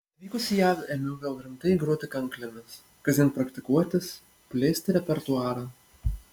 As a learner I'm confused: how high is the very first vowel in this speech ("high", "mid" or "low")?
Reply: high